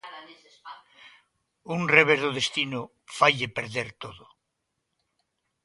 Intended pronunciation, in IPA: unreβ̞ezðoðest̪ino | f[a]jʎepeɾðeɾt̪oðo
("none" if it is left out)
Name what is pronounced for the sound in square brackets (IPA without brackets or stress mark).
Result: a